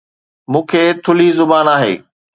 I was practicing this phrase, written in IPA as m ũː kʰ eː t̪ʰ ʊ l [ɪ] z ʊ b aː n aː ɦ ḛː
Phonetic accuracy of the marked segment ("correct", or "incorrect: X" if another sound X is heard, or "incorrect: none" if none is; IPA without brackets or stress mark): incorrect: i